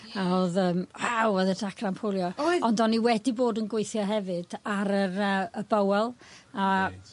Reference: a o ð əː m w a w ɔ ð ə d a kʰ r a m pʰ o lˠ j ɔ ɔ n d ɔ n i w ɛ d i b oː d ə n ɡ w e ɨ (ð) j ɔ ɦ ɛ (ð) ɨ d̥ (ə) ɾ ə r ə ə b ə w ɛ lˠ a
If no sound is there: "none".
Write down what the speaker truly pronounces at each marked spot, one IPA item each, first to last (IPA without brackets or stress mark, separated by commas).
θ, v, a